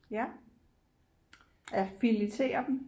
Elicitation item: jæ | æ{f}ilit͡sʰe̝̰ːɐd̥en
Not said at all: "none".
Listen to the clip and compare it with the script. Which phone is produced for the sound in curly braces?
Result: f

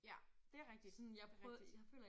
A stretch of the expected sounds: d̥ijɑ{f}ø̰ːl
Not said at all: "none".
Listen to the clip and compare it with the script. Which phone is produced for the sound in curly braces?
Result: f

